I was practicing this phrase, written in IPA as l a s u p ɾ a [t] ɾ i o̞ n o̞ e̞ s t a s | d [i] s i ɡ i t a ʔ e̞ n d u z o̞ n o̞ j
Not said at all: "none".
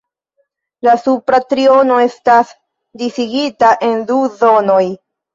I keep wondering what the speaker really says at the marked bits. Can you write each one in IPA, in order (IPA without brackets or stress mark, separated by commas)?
t, i